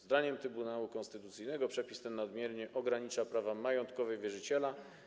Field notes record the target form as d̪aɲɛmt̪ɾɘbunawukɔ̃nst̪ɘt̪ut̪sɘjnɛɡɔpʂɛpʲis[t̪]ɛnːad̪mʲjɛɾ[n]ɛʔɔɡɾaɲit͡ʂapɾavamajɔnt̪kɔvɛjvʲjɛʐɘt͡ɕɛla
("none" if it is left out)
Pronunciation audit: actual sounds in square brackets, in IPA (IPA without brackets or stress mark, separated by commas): t̪, ɲ